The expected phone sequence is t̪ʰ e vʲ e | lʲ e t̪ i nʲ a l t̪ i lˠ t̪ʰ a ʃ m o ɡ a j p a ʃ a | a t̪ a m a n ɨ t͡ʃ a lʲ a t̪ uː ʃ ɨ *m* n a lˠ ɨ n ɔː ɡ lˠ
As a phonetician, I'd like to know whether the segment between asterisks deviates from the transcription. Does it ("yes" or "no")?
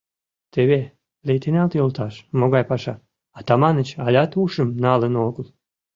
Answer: no